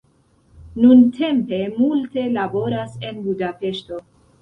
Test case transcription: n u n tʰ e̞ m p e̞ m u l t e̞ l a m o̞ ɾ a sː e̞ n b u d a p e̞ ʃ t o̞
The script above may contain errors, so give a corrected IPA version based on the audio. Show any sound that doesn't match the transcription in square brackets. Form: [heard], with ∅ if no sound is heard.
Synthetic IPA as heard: n u n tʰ e̞ m p e̞ m u l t e̞ l a [b] o̞ ɾ a [s] e̞ n b u d a p e̞ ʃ t o̞

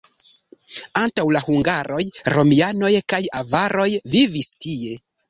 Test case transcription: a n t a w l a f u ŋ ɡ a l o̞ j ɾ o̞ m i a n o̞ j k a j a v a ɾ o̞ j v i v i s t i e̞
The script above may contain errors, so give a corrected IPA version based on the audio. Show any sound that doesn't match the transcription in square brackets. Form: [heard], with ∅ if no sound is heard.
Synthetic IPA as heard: a n t a w l a [h] u ŋ ɡ a [ɾ] o̞ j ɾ o̞ m i a n o̞ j k a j a v a ɾ o̞ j v i v i s t i e̞

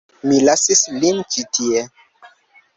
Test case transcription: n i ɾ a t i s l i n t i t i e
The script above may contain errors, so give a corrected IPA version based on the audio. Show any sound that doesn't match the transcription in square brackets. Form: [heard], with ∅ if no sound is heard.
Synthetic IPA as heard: [m] i [l] a [s] i s l i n [t͡ʃ] i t i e

